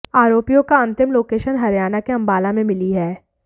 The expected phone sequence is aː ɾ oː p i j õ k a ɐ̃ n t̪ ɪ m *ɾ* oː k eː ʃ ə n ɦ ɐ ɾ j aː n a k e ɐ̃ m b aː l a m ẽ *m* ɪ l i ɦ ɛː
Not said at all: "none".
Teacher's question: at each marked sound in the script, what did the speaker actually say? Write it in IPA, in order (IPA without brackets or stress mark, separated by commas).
l, m